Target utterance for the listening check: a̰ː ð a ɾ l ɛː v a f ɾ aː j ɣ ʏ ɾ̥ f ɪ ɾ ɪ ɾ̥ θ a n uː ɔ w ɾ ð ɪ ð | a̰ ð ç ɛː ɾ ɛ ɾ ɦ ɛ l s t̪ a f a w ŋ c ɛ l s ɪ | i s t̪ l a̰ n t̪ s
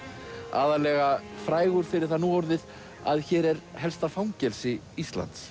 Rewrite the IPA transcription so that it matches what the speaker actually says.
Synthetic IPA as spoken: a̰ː ð a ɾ l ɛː ɣ a f ɾ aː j ɣ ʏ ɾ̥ f ɪ ɾ ɪ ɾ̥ θ a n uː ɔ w ɾ ð ɪ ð | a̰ ð ç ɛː ɾ ɛ ɾ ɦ ɛ l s t̪ a f a w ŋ c ɛ l s ɪ | i s t̪ l a̰ n t̪ s

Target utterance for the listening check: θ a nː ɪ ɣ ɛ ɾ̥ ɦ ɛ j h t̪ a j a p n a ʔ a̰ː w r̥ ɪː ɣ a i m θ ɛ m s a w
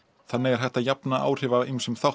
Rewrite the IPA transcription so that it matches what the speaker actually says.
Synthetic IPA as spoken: θ a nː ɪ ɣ ɛ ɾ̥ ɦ ɛ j h t̪ a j a p n a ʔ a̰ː w r̥ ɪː v a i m s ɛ m θ a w

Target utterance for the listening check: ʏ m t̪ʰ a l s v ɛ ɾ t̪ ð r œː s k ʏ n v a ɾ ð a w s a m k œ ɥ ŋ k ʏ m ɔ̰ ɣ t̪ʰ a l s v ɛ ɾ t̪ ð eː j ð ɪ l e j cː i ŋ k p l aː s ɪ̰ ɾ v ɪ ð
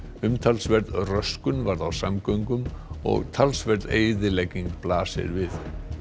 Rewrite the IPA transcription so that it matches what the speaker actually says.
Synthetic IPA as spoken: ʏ m t̪ʰ a l s v ɛ ɾ t̪ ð r œ s k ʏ n v a ɾ ð a w s a m k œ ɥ ŋ k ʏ m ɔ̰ ɣ t̪ʰ a l s v ɛ ɾ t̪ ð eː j ð ɪ l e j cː i ŋ k p l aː s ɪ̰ ɾ v ɪ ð

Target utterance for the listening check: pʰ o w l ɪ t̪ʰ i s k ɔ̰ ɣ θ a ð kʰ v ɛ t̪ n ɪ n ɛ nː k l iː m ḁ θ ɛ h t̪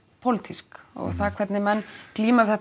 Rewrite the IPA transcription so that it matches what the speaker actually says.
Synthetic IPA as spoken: pʰ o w l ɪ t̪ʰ i s k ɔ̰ ɣ θ a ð kʰ v ɛ t̪ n ɪ m ɛ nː k l iː m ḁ θ ɛ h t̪

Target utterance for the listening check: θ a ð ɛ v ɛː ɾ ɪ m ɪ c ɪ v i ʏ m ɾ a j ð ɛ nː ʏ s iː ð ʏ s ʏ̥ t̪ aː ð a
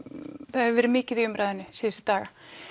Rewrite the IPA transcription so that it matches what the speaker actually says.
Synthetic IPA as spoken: θ a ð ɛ v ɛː ɾ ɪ m ɪː c ɪ ð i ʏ m ɾ a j ð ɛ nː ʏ s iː ð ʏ s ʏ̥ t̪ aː ɣ a

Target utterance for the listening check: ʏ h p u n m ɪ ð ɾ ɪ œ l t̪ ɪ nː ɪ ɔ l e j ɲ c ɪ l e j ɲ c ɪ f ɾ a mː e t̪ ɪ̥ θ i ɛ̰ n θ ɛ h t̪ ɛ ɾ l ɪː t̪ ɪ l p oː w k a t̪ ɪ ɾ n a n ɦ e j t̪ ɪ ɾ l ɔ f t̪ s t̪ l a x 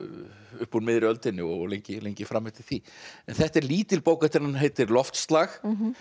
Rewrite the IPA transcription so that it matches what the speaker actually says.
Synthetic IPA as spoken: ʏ h p u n m ɪ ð ɾ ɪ œ l t̪ ɪ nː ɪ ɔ l e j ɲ c ɪ l e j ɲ c ɪ f ɾ a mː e t̪ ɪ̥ θ i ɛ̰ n θ ɛ h t̪ ɛ ɾ l iː t̪ ɪ l p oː w k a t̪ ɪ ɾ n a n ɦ e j t̪ ɪ ɾ l ɔ f t̪ s t̪ l a x

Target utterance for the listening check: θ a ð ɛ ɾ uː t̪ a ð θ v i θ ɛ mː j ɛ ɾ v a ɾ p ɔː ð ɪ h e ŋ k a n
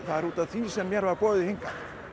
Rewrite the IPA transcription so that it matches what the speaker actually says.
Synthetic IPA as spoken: θ a ð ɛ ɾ uː t̪ a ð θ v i s ɛ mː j ɛ ɾ v a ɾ p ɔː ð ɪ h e ŋ k a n

